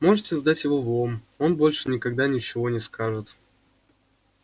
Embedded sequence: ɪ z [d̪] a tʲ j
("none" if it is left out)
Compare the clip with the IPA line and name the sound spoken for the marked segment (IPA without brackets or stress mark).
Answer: d̪